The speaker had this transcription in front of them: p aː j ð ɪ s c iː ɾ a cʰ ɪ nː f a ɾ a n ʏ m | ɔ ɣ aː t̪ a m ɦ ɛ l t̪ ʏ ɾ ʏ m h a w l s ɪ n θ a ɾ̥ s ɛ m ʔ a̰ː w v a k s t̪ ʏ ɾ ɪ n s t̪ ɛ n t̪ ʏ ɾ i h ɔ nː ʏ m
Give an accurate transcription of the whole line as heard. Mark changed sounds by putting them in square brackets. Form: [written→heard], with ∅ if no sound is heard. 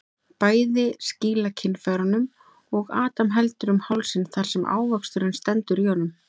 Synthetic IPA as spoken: p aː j ð ɪ s c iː [ɾ→l] a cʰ ɪ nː f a ɾ a n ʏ m | ɔ ɣ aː t̪ a m ɦ ɛ l t̪ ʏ ɾ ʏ m h a w l s ɪ n θ a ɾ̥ s ɛ m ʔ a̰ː w v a k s t̪ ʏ ɾ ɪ n s t̪ ɛ n t̪ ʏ ɾ i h ɔ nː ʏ m

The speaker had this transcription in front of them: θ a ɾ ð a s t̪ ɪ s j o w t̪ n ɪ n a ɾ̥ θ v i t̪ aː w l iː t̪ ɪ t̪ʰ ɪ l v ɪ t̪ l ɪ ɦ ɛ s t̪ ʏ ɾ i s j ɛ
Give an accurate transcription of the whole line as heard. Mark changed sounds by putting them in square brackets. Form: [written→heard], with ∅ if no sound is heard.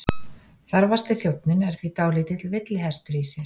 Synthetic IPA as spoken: θ a ɾ [ð→v] a s t̪ ɪ [s→θ] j o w t̪ n ɪ n [a→ɛ] ɾ̥ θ v i t̪ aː w l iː t̪ ɪ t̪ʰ ɪ l v ɪ t̪ l ɪ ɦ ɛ s t̪ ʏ ɾ i s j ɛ

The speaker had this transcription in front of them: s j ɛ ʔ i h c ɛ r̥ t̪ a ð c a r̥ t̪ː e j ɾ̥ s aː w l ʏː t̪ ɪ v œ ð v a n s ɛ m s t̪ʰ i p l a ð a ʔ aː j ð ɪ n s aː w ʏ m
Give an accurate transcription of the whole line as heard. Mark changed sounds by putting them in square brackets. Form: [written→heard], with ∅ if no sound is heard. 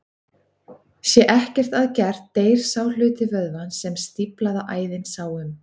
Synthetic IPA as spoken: s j ɛ ʔ [i→ɛ] h c ɛ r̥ t̪ a ð c [a→ɛ] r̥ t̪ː e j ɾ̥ s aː w l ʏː t̪ ɪ v œ ð v a n s ɛ m s [t̪ʰ→t̪] i p l a ð a ʔ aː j ð ɪ n s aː w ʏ m

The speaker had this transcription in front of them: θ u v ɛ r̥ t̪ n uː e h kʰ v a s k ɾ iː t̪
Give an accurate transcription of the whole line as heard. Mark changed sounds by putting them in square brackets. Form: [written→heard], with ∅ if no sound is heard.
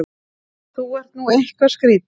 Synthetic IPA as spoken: θ u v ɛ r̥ t̪ n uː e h [kʰ→k] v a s k ɾ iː t̪

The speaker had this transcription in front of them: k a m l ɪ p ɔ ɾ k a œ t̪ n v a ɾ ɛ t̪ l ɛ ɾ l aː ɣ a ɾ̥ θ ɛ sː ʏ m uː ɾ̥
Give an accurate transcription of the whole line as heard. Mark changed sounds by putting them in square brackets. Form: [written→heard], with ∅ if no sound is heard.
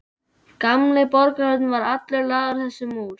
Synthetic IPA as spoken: k a m l ɪ p ɔ ɾ k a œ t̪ n v a ɾ [ɛ→a] t̪ l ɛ ɾ l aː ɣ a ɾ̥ θ ɛ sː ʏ m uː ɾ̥

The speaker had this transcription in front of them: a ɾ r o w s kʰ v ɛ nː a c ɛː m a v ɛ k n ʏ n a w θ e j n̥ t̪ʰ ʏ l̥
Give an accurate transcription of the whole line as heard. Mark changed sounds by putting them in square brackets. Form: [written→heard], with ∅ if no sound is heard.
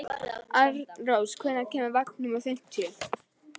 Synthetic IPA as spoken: a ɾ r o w s kʰ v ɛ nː a c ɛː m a v [ɛ→a] k n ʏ [n→m] a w θ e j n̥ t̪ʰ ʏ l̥

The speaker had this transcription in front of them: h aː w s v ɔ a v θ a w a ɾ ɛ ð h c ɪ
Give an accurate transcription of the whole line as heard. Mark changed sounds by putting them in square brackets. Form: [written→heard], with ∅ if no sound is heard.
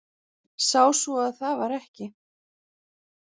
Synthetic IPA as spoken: [h→s] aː w s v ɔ a [v→ð] θ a [w→v] a ɾ ɛ [ð→∅] h c ɪ

